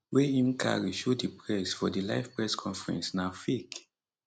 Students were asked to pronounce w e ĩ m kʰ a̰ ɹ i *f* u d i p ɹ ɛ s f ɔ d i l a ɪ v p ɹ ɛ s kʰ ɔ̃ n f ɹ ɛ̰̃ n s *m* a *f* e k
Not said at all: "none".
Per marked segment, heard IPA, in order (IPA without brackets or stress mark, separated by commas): ʃ, n, f